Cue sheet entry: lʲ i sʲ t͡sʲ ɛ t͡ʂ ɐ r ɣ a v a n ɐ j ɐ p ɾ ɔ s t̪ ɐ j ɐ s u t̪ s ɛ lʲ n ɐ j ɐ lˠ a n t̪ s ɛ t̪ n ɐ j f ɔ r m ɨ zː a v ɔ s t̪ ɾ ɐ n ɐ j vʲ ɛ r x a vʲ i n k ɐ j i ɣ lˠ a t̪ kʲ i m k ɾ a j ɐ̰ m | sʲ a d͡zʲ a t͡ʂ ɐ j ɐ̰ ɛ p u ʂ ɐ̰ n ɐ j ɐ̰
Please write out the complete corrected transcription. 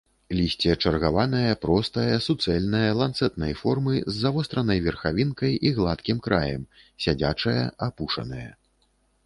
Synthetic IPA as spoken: lʲ i sʲ t͡sʲ ɛ t͡ʂ ɐ r ɣ a v a n ɐ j ɐ p ɾ ɔ s t̪ ɐ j ɐ s u t̪ s ɛ lʲ n ɐ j ɐ lˠ a n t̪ s ɛ t̪ n ɐ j f ɔ r m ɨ zː a v ɔ s t̪ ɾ ɐ n ɐ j vʲ ɛ r x a vʲ i n k ɐ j i ɣ lˠ a t̪ kʲ i m k ɾ a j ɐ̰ m | sʲ a d͡zʲ a t͡ʂ ɐ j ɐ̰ a p u ʂ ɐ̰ n ɐ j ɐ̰